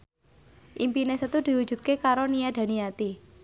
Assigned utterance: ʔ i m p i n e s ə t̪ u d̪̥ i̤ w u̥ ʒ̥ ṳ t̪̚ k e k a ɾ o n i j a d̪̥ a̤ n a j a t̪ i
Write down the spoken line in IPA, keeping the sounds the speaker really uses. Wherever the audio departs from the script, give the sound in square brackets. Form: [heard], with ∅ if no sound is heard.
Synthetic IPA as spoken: ʔ i m p i n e s ə t̪ u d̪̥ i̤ w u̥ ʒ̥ ṳ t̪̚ k e k a ɾ o n i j a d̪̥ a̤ n [i] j a t̪ i